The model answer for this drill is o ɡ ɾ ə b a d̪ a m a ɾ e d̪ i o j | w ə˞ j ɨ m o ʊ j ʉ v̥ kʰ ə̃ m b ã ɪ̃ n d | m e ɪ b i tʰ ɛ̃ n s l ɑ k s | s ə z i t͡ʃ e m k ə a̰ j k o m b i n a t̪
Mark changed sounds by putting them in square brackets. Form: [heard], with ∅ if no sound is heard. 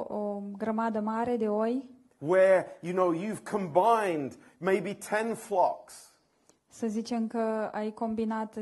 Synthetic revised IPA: o ɡ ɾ ə [m] a d̪ [ə] m a ɾ e d̪ [e] o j | w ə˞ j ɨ [n] o ʊ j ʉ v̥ kʰ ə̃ m b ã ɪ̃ n d | m e ɪ b i tʰ ɛ̃ n [f] l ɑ k s | s ə z i t͡ʃ e m k ə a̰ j k o m b i n a t̪